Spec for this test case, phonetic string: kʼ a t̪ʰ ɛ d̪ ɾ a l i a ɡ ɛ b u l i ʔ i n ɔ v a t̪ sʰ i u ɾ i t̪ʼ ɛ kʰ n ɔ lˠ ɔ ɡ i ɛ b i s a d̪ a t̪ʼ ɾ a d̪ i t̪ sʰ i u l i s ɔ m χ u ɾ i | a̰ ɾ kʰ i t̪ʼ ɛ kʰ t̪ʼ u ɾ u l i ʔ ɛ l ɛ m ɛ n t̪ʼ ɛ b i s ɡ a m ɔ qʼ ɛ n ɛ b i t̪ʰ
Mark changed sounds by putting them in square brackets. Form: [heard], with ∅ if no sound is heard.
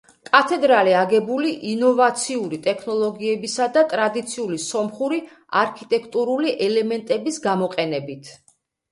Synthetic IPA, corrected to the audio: kʼ a t̪ʰ ɛ d̪ ɾ a l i a ɡ ɛ b u l i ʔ i n ɔ v a t̪ sʰ i u ɾ i t̪ʼ ɛ kʰ n ɔ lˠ ɔ ɡ i ɛ b i s a d̪ a t̪ʼ ɾ a d̪ i t̪ sʰ i u l i s ɔ m χ u ɾ i | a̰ ɾ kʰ i t̪ʼ ɛ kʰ t̪ʼ u ɾ u l i ʔ ɛ l ɛ m ɛ n t̪ʼ ɛ b i s ɡ a m ɔ qʼ ɛ n ɛ b i t̪ʰ